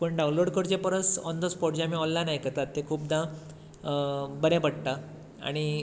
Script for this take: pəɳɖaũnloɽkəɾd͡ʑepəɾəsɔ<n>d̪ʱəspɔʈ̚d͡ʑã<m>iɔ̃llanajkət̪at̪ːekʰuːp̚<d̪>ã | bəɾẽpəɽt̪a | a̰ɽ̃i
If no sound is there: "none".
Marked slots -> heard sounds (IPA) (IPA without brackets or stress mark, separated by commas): n, m, d̪